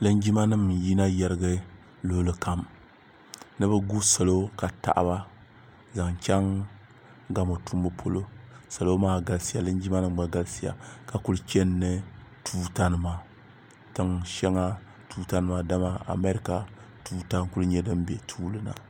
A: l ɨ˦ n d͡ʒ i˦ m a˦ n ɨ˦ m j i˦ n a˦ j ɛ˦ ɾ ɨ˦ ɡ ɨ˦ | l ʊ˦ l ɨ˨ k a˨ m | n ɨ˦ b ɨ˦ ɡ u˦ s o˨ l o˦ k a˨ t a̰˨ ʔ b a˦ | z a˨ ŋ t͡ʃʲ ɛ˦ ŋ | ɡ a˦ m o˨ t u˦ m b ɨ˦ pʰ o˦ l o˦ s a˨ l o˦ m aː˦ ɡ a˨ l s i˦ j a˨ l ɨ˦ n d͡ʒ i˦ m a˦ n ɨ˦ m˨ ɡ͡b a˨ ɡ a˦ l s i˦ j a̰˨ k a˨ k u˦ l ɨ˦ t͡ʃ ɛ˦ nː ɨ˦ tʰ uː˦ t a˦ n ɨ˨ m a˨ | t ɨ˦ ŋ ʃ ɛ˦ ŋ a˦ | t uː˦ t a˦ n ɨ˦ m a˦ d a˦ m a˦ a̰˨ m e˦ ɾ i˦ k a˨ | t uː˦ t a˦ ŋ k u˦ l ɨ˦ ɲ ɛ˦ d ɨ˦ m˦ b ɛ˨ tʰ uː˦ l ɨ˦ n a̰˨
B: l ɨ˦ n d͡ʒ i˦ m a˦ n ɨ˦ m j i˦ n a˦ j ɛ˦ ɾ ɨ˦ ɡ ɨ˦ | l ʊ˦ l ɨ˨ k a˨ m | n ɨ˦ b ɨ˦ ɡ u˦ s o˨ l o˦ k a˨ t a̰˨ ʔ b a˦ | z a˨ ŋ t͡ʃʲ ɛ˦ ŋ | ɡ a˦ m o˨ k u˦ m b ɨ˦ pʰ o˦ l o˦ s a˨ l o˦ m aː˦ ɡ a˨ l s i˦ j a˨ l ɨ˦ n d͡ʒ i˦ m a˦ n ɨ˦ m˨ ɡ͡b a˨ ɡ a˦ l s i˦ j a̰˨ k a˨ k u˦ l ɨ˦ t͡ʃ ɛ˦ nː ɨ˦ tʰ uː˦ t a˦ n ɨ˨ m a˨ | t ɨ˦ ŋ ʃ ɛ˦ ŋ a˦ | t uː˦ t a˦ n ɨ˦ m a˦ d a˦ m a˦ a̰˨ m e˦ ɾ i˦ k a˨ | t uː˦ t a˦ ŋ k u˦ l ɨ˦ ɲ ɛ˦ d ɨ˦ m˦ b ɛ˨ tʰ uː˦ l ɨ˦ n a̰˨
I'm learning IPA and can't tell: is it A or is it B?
A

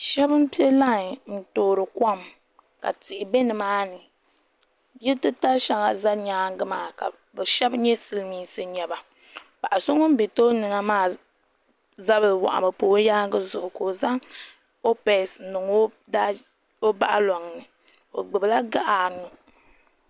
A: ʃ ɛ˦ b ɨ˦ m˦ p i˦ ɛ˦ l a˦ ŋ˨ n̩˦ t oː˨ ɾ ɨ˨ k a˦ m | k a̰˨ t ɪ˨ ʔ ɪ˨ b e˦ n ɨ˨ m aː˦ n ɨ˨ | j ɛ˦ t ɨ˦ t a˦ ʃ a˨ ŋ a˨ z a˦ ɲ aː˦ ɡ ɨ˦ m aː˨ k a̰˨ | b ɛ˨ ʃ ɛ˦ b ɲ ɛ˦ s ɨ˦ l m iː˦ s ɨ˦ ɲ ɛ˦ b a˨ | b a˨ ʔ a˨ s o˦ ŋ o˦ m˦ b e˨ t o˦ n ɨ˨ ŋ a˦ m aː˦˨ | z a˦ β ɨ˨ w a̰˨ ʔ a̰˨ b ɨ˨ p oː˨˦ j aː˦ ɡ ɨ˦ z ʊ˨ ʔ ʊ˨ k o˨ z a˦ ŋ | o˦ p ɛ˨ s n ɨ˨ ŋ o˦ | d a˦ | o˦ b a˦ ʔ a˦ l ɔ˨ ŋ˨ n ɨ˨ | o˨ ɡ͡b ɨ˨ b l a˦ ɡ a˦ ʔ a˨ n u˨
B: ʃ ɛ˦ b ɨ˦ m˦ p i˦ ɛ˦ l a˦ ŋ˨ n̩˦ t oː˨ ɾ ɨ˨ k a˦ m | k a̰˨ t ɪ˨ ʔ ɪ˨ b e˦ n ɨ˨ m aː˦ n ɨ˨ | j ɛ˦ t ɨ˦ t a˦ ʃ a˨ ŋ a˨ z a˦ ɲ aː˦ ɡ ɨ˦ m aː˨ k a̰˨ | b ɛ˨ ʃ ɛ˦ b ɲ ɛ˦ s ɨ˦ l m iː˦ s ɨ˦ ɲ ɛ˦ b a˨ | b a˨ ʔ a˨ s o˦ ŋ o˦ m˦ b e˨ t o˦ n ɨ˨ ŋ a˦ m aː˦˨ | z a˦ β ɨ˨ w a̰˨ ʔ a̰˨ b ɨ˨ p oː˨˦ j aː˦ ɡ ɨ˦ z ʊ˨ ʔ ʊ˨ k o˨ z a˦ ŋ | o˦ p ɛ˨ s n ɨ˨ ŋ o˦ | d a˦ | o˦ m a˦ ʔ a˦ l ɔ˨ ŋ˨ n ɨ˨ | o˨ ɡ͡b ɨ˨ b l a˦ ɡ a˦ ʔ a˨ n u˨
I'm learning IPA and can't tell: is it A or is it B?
A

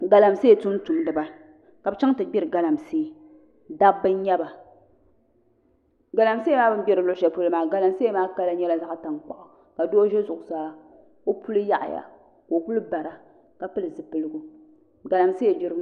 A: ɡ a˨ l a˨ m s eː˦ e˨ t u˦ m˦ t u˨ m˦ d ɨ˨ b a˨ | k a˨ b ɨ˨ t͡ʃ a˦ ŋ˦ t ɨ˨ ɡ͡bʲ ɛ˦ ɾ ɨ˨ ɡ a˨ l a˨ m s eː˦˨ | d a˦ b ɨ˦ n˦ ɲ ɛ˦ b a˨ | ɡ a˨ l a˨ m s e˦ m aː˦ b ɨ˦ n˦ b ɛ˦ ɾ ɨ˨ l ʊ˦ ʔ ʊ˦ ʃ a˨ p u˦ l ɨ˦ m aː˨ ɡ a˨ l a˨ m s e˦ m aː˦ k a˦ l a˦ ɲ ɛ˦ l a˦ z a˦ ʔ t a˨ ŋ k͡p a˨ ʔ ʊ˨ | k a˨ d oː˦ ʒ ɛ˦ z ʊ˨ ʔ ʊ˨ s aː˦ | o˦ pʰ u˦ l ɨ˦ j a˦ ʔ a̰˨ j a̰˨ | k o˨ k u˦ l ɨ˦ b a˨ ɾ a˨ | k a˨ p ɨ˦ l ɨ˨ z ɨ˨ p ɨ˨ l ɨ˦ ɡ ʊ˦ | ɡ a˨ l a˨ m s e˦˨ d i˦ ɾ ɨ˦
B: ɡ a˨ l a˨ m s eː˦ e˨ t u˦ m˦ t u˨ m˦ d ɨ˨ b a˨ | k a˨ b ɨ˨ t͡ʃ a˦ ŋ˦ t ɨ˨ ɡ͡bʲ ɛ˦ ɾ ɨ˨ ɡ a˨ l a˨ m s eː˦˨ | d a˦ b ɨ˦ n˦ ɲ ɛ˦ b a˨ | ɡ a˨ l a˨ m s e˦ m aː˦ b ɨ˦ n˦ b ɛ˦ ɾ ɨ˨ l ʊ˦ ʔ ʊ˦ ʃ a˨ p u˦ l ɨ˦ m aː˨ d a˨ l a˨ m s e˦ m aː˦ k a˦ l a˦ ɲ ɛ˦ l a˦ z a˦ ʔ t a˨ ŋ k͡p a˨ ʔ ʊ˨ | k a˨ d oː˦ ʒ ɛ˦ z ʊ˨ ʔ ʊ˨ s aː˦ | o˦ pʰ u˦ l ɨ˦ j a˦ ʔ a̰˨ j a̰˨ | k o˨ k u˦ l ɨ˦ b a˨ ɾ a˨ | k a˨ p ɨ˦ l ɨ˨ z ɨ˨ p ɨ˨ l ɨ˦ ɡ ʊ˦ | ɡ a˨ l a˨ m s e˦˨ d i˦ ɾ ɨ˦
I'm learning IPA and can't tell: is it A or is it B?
A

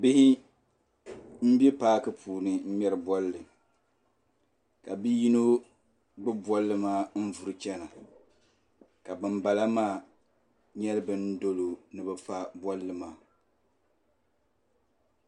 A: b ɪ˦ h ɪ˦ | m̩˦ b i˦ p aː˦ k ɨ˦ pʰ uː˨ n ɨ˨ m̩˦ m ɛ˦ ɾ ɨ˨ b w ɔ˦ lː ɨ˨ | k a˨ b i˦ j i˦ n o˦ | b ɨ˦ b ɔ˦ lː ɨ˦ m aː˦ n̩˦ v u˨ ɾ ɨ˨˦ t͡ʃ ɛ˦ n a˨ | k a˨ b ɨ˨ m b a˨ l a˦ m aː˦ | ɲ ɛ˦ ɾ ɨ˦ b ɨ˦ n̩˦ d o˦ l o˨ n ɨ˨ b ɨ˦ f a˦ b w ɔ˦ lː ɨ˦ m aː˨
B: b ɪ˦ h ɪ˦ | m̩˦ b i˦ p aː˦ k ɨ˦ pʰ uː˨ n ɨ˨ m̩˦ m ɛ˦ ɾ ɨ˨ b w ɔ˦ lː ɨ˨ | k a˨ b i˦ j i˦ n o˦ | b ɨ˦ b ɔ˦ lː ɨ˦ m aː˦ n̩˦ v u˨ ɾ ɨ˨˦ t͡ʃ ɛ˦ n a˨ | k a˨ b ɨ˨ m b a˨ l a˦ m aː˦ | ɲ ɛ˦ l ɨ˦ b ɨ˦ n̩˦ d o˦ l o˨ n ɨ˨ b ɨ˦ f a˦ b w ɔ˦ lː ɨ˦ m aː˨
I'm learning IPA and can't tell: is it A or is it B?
B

